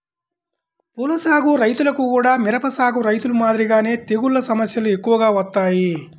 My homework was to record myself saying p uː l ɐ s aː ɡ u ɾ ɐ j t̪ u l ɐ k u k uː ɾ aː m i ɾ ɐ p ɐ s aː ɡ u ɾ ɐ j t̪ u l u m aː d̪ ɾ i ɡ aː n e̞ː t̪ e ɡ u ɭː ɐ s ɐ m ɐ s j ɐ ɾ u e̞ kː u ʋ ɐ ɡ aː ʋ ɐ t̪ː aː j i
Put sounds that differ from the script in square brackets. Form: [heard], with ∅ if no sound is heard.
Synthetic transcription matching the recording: p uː l ɐ s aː ɡ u ɾ ɐ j t̪ u l ɐ k u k uː [ɽ] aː m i ɾ ɐ p ɐ s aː ɡ u ɾ ɐ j t̪ u l u m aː d̪ ɾ i ɡ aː n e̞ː t̪ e ɡ u ɭː ɐ s ɐ m ɐ s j ɐ [l] u e̞ kː u ʋ ɐ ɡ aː ʋ ɐ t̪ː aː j i